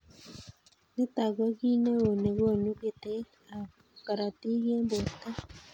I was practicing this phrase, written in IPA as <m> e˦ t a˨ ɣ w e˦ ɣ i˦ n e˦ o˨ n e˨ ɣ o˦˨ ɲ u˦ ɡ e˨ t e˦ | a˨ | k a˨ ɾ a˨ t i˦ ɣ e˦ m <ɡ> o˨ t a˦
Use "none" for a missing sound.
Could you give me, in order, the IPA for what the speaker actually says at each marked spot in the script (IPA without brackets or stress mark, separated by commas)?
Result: n, b